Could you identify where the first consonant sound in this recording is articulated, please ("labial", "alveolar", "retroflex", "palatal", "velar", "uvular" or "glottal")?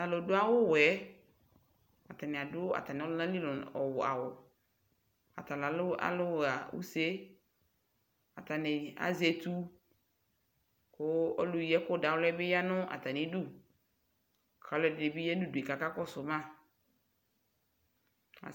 alveolar